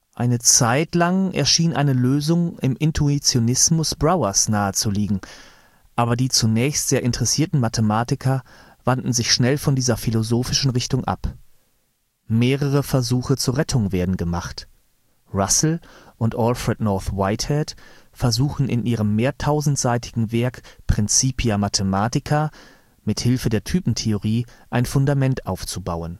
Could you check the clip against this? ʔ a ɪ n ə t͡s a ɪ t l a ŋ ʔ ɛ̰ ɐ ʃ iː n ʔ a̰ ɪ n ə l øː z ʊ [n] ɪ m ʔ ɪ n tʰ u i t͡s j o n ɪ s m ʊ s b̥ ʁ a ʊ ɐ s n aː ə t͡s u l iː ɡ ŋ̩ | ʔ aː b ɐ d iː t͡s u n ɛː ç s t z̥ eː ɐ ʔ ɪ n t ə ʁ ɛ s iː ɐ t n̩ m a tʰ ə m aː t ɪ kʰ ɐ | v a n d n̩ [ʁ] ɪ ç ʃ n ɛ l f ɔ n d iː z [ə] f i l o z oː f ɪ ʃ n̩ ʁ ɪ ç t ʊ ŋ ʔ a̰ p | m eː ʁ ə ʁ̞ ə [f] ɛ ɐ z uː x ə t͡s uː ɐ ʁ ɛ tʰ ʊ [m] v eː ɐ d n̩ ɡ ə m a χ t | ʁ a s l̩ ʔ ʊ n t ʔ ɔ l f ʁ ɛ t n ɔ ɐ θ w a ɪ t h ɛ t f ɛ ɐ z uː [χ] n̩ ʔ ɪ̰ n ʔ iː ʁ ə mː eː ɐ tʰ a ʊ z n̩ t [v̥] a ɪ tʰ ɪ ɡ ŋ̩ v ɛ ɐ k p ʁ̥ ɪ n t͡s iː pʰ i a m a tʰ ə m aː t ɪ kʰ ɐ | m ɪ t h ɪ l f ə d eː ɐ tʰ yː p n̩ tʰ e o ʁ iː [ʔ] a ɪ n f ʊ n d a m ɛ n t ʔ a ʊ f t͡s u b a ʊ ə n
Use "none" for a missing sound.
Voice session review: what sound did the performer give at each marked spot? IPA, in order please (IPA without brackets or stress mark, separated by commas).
ŋ, z, ɐ, f, ŋ, x, z̥, ʔ